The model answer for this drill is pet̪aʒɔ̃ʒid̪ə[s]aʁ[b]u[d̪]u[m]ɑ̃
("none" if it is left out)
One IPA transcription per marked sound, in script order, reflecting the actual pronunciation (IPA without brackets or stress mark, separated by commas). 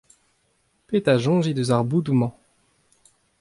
z, b, d̪, m